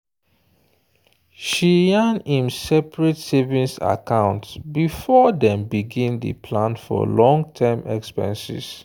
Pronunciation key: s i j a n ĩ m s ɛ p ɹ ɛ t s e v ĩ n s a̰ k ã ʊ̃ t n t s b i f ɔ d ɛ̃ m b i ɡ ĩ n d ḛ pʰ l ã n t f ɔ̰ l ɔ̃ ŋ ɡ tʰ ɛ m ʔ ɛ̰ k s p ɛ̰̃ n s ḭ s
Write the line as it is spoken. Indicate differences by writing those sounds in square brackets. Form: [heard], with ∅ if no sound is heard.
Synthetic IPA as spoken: [ʃ] i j a n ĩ m s ɛ p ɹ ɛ t s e v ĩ n s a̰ k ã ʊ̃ [∅] n t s b i f ɔ d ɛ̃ m b i ɡ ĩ n d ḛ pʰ l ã n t f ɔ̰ l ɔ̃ ŋ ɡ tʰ ɛ m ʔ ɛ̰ k s p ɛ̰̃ n s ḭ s